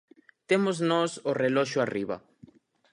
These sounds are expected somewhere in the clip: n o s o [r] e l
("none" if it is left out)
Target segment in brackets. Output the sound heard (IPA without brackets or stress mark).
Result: r